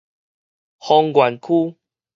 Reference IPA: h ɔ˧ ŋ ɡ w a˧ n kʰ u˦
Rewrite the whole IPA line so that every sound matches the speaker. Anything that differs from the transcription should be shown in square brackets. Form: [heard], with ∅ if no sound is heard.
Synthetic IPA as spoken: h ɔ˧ ŋ ɡ w [a˨˩] n kʰ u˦